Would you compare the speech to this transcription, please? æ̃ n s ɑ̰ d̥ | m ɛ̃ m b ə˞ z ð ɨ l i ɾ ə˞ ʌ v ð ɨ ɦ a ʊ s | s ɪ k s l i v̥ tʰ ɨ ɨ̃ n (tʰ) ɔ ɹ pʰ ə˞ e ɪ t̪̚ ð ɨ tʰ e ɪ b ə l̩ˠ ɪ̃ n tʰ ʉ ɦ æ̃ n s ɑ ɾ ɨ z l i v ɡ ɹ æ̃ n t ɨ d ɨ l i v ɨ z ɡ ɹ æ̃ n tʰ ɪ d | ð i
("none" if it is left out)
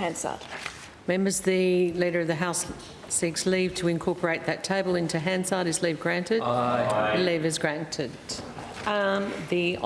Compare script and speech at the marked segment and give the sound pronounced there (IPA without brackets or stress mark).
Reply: kʰ